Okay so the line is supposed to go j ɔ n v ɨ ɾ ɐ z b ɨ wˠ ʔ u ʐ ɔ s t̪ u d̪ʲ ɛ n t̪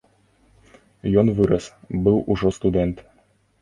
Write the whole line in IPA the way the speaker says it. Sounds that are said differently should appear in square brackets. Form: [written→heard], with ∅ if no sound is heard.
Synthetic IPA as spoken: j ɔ n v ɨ ɾ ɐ [z→s] b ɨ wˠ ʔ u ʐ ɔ s t̪ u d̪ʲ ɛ n t̪

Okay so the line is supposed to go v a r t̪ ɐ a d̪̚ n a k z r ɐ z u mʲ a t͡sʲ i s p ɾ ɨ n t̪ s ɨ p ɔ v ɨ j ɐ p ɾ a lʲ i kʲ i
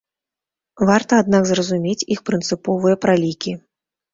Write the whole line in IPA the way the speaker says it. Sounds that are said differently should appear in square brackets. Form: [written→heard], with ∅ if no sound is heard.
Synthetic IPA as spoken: v a r t̪ ɐ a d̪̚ n a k z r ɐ z u mʲ [a→e] t͡sʲ i [s→x] p ɾ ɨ n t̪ s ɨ p ɔ v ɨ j ɐ p ɾ a lʲ i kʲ i

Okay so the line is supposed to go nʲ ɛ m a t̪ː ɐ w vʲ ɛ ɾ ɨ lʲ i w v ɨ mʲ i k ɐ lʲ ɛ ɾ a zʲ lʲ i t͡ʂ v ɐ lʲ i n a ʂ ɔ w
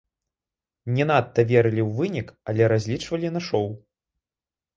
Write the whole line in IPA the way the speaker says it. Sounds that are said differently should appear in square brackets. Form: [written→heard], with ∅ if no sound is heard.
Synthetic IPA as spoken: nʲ ɛ [m→n] a t̪ː ɐ [w→∅] vʲ ɛ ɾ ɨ lʲ i w v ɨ [mʲ→nʲ] i k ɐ lʲ ɛ ɾ a zʲ lʲ i t͡ʂ v ɐ lʲ i n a ʂ ɔ w

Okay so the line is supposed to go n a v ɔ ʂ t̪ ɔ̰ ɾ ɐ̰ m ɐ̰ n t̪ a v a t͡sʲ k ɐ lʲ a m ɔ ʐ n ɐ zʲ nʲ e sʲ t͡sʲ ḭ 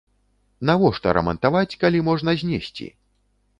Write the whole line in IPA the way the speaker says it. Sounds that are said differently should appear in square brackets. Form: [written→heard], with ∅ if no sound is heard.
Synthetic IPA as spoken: n a v ɔ ʂ t̪ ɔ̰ ɾ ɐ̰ m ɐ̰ n t̪ a v a t͡sʲ k [ɐ→a] lʲ [a→i] m ɔ ʐ n ɐ zʲ nʲ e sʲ t͡sʲ ḭ

